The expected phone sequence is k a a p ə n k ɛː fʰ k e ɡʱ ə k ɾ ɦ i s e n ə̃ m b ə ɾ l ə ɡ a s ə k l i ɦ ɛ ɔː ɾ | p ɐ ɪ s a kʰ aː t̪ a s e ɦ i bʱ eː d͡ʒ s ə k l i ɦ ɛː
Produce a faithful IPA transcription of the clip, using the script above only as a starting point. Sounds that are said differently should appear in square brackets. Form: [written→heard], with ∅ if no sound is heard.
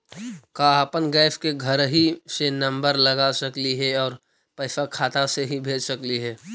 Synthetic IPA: k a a p ə n [k→ɡ] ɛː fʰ k e ɡʱ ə [k→∅] ɾ ɦ i s e n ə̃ m b ə ɾ l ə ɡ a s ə k l i ɦ ɛ ɔː ɾ | p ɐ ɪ s a kʰ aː t̪ a s e ɦ i bʱ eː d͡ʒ s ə k l i ɦ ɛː